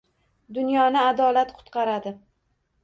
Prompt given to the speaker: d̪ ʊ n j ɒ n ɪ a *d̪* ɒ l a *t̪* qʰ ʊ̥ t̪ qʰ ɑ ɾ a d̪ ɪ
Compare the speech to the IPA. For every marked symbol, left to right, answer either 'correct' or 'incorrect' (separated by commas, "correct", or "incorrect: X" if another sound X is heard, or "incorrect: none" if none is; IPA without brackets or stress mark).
correct, correct